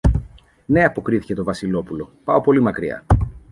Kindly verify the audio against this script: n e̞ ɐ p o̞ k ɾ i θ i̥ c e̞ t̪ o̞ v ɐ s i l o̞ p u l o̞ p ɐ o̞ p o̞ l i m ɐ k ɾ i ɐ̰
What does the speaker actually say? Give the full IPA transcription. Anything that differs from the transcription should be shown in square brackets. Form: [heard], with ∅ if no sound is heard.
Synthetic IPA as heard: n e̞ ɐ p o̞ k ɾ i θ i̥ c e̞ t̪ o̞ v ɐ s i l o̞ p u l o̞ p ɐ o̞ p o̞ l i m ɐ k ɾ i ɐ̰